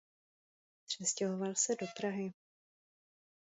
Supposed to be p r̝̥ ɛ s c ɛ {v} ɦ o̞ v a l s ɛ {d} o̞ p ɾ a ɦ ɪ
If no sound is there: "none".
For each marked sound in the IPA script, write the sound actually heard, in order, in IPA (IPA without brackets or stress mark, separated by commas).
none, d